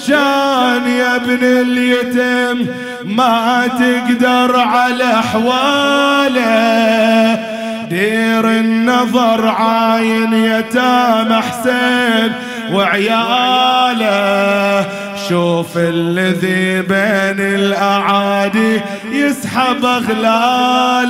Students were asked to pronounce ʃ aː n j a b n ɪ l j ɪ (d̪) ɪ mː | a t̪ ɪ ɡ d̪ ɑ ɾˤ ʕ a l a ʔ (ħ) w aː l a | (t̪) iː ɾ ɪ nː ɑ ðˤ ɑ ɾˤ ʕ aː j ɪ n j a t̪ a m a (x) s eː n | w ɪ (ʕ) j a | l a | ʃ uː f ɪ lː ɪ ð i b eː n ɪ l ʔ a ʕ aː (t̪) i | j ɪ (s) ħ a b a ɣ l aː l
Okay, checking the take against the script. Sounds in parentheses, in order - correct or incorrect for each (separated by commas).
incorrect, correct, incorrect, incorrect, correct, incorrect, correct